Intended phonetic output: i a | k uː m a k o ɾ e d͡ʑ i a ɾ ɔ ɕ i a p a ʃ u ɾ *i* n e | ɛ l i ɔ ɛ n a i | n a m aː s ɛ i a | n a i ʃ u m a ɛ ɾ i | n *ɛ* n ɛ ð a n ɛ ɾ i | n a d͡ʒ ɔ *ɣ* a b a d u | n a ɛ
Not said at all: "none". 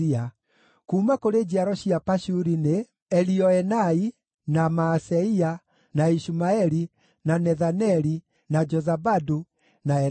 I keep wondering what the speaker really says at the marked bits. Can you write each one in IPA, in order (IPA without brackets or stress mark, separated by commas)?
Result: i, a, z